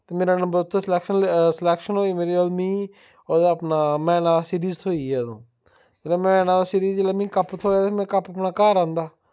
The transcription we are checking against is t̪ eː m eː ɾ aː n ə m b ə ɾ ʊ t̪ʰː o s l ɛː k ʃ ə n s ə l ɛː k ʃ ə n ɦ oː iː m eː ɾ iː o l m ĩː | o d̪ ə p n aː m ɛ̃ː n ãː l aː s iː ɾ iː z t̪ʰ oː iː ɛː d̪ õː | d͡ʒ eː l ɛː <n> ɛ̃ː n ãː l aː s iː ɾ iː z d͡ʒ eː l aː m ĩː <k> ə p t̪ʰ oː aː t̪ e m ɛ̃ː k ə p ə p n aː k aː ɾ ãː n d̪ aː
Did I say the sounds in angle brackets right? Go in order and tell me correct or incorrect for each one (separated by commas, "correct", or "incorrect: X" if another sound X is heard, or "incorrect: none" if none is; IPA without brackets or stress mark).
incorrect: m, correct